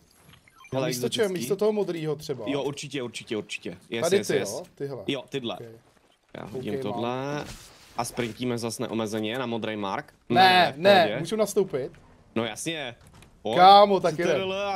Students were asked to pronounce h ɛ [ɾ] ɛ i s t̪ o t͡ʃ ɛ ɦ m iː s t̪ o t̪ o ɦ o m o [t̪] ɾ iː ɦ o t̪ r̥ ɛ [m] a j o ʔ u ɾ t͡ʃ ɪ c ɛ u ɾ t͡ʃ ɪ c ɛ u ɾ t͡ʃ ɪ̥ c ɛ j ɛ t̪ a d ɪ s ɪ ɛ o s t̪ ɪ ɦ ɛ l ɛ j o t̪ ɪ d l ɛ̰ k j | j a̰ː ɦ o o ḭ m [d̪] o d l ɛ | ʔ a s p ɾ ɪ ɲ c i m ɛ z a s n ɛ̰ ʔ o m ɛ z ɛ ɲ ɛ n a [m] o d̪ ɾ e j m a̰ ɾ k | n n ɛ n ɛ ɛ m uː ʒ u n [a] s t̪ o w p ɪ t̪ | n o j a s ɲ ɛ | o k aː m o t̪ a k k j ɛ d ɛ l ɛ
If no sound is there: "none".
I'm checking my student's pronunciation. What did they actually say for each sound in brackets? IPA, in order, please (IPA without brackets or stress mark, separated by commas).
l, d̪, b, t̪, m, a